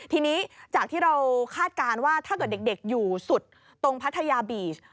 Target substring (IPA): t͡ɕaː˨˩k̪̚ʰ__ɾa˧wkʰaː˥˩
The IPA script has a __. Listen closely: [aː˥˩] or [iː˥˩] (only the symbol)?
iː˥˩